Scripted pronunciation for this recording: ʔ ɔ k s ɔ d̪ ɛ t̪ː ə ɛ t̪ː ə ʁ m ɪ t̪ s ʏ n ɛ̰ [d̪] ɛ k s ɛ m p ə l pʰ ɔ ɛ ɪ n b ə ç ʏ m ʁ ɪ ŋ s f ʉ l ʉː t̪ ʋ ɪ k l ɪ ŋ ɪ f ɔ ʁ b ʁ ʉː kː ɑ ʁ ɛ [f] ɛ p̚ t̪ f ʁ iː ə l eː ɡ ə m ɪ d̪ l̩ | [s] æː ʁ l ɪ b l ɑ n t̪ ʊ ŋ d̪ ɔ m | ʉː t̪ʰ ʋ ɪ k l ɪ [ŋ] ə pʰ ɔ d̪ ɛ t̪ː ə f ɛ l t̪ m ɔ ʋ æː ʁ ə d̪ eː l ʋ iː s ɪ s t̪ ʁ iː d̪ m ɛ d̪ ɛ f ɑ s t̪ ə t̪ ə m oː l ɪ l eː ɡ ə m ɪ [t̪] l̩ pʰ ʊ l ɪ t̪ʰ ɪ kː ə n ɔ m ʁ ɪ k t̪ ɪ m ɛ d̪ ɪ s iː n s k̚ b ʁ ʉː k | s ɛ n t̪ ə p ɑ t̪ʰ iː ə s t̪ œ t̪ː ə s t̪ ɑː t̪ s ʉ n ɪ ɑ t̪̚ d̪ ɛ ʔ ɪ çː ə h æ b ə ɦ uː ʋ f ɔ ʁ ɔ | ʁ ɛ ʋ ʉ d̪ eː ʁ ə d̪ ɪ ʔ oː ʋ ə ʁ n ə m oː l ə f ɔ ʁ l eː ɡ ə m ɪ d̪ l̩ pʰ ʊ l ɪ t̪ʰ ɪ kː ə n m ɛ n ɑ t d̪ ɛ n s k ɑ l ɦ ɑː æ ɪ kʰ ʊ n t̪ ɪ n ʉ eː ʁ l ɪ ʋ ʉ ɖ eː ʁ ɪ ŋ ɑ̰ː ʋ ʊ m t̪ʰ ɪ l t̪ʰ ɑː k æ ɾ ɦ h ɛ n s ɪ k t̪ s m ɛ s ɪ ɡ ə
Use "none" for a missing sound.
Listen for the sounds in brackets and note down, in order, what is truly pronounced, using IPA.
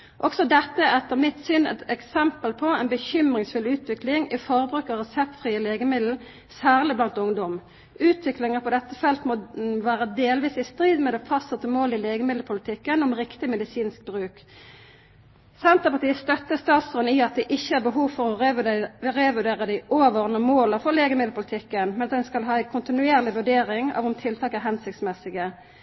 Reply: t̪, s, s, ŋ, d̪

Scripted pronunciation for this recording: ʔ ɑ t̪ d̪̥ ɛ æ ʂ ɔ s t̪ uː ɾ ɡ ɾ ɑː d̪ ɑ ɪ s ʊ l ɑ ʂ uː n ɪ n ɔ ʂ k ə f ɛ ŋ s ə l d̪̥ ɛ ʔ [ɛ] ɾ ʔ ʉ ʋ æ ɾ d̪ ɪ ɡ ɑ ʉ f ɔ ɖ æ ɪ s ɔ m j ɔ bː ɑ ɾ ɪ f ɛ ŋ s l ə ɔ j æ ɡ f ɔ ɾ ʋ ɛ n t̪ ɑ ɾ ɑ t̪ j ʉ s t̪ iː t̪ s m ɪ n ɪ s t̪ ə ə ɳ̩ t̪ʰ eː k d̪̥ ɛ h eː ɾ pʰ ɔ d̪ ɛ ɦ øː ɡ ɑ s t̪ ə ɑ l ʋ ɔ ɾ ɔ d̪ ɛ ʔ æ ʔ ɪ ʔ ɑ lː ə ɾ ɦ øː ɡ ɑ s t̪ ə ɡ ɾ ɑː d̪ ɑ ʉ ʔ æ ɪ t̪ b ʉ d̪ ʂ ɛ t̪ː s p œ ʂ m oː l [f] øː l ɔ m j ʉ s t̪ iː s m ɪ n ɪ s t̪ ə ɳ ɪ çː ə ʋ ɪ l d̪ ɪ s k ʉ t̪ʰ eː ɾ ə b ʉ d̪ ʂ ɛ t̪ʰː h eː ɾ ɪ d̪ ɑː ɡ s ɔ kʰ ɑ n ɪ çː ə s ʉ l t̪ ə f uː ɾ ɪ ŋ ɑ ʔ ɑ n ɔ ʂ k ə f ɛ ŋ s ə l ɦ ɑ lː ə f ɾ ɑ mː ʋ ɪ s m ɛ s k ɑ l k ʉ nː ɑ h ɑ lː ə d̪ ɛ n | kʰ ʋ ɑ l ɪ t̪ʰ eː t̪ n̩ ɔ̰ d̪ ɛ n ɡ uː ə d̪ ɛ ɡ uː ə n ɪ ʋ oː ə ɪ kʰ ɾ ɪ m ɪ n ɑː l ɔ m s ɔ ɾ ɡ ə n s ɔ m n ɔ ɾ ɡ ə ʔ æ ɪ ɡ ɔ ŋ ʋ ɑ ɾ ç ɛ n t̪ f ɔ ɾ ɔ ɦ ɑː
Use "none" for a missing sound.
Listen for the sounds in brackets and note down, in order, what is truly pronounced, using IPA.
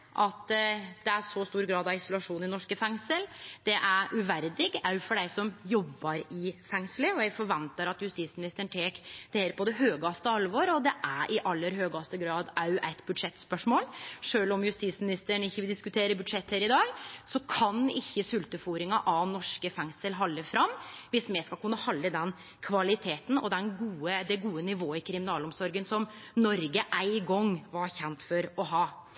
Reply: æ, ʂ

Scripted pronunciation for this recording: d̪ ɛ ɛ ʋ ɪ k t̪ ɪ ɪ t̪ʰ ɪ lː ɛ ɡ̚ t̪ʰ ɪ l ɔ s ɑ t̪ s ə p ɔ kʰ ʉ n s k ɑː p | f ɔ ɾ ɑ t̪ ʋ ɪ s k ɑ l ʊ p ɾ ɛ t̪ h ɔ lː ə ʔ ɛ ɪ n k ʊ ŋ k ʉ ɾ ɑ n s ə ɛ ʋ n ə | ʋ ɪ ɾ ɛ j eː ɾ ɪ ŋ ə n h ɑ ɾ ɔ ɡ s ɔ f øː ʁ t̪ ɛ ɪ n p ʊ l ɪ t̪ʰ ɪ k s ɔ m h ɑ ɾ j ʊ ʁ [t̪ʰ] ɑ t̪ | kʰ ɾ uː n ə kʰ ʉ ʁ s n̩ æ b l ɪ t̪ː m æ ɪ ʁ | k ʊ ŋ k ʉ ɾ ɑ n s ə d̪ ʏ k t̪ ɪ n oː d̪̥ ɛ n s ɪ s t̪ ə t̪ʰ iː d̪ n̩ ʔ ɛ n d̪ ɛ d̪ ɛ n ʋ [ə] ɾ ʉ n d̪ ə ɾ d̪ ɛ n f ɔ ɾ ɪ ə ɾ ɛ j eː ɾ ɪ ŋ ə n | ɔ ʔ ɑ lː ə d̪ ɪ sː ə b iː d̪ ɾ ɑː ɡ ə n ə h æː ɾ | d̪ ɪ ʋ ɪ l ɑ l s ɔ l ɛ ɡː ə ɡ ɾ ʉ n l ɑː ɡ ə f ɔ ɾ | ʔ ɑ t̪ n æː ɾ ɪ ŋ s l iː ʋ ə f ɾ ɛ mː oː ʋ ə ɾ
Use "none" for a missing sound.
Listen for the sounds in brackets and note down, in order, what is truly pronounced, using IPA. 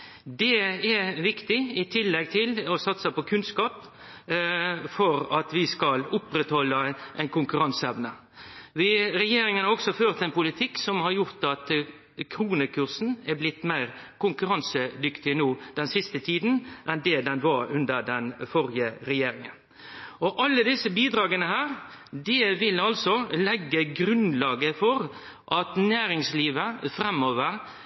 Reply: t̪, ɑ

